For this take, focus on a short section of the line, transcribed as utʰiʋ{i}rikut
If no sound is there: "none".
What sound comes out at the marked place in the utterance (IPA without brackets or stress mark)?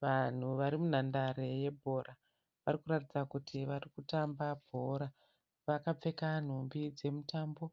a